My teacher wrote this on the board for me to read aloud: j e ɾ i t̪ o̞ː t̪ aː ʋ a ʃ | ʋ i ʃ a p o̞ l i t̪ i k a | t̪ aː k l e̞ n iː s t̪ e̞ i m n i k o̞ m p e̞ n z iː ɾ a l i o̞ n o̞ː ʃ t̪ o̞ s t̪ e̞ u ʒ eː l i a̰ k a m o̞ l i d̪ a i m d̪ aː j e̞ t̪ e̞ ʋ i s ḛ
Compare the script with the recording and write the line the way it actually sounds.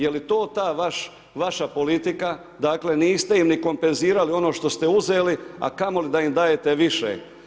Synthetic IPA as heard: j e l i t̪ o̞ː t̪ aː ʋ a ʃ | ʋ a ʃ a p o̞ l i t̪ i k a | d̪ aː k l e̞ n iː s t̪ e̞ i m n i k o̞ m p e̞ n z iː ɾ a l i o̞ n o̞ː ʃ t̪ o̞ s t̪ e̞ u z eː l i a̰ k a m o̞ l i d̪ a i m d̪ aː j e̞ t̪ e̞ ʋ i ʃ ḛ